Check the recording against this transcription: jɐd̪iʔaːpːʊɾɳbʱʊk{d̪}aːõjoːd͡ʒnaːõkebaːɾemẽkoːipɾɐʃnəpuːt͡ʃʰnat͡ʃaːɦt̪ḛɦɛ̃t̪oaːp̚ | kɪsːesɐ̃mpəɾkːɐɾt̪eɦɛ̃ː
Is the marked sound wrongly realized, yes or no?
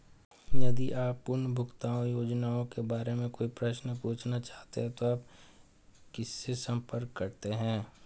yes